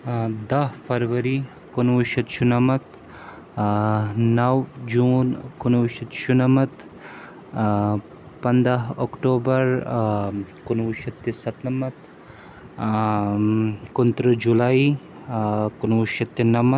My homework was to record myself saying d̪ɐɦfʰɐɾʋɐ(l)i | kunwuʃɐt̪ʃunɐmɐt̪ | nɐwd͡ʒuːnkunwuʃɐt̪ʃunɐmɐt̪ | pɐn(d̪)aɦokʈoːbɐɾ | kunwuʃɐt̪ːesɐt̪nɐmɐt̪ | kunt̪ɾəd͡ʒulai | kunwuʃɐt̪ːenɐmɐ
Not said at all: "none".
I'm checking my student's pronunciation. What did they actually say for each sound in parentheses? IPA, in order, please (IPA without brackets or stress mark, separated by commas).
ɾ, d̪